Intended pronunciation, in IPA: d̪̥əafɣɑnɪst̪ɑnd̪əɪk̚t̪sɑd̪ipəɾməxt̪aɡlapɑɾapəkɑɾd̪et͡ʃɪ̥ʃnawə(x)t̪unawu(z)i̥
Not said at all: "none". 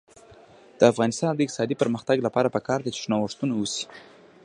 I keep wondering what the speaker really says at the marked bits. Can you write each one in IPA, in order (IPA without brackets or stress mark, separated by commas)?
ʂ, s